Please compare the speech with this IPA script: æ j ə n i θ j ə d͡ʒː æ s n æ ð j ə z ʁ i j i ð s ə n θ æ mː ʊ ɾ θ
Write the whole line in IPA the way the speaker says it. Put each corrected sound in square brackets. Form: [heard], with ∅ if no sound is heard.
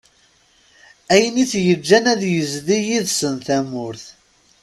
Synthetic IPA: æ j ə n i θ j ə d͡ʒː æ [∅] n æ ð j ə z [ð] i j i ð s ə n θ æ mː ʊ ɾ θ